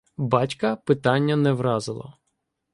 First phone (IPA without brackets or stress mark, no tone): b